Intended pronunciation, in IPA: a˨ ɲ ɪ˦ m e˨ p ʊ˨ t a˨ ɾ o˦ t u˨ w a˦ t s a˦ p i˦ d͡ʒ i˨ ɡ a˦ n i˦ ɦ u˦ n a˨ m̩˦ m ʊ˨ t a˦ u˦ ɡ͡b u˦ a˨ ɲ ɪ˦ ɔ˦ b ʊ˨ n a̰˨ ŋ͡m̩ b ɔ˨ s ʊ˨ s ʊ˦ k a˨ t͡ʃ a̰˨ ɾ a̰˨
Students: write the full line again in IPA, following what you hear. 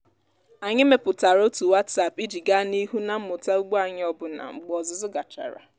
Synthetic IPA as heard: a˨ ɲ ɪ˦ m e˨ p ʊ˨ t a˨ ɾ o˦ t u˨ w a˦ t s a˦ p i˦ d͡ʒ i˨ ɡ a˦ n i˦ ɦ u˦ n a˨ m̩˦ m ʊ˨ t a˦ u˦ ɡ͡b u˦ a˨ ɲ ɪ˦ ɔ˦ b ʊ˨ n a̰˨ ŋ͡m̩ ɡ͡b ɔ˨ z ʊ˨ z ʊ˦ ɡ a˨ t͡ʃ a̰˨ ɾ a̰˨